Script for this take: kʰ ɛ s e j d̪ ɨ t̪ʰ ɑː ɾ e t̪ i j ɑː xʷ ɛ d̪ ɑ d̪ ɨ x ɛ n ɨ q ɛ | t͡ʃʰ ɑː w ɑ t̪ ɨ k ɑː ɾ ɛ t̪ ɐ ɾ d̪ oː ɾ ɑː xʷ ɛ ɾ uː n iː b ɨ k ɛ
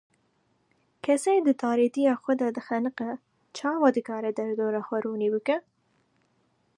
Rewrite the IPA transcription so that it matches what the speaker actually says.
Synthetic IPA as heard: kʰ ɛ s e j d̪ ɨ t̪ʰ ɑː ɾ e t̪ i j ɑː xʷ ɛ d̪ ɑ d̪ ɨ x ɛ n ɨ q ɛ | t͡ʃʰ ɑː w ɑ d̪ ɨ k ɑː ɾ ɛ d̪ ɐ ɾ d̪ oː ɾ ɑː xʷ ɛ ɾ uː n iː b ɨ k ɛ